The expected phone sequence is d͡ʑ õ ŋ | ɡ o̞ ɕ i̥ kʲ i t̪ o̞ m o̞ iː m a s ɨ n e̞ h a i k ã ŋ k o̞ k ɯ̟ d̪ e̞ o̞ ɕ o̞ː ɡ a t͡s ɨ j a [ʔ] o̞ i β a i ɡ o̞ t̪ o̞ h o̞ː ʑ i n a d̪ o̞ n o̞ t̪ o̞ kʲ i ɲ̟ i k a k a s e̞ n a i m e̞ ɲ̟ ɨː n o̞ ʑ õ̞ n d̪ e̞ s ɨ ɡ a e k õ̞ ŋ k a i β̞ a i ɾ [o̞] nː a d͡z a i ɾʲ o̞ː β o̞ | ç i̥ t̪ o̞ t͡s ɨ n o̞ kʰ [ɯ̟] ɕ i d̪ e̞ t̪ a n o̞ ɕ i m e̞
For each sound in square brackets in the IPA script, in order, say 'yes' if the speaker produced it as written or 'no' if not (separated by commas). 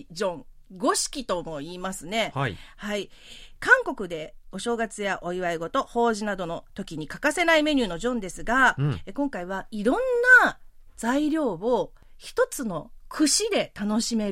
yes, no, yes